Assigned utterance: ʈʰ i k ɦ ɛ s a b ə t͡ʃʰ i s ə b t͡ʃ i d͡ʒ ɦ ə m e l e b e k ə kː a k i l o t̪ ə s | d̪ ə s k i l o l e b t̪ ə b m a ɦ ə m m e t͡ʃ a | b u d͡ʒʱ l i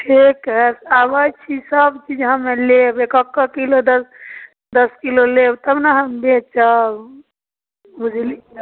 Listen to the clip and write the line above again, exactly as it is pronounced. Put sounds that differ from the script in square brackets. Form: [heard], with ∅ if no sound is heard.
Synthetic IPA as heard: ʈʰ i k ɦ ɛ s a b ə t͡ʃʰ i s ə b t͡ʃ i d͡ʒ ɦ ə m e l e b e k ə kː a k i l o [d̪] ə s | d̪ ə s k i l o l e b t̪ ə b [n] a ɦ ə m [b] e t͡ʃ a | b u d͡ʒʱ l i